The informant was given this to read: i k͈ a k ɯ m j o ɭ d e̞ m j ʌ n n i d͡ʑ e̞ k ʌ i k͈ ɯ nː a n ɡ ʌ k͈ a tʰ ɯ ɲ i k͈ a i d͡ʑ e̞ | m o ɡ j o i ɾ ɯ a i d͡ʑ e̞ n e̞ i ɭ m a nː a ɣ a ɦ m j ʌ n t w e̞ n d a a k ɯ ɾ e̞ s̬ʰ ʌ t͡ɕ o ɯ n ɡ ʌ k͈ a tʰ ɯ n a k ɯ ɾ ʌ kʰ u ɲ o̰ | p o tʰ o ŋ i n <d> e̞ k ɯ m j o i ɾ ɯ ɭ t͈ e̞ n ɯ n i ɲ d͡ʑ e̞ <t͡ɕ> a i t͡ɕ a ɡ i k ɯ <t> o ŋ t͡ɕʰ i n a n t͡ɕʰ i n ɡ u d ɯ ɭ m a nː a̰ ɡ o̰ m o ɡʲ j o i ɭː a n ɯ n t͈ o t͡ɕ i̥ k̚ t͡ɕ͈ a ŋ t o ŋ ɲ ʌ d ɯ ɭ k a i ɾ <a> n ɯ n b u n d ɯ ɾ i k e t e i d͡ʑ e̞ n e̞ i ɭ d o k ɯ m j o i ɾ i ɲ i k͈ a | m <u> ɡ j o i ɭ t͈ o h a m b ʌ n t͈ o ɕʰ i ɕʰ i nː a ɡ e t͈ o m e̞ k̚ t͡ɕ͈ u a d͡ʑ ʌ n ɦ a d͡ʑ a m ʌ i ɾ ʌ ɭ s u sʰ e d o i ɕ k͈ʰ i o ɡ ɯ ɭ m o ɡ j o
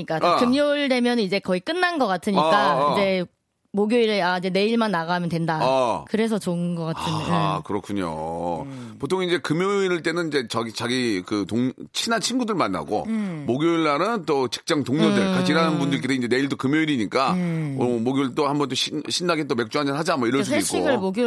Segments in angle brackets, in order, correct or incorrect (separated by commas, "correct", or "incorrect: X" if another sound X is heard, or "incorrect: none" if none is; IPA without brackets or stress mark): incorrect: d͡ʑ, correct, correct, correct, incorrect: o